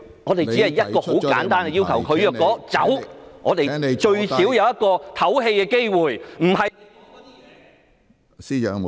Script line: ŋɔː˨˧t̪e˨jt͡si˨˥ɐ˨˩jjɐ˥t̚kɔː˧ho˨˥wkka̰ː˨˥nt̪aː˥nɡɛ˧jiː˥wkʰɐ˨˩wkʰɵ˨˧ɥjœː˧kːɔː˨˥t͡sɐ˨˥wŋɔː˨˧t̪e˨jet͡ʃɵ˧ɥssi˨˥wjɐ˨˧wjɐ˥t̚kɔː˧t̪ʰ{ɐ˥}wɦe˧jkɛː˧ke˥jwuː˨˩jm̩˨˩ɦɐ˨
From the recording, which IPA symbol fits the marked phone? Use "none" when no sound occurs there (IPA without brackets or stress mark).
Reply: ɐ˨˥